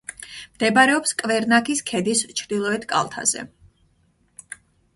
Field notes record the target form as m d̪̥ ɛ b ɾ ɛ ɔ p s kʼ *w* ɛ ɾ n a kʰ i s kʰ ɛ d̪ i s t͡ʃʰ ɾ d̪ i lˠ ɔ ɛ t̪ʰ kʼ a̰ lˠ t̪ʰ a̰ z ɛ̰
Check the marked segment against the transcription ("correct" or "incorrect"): incorrect